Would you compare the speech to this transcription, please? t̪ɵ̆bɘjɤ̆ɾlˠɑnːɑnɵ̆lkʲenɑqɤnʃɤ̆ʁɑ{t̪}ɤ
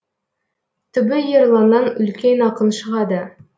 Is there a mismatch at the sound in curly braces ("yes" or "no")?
yes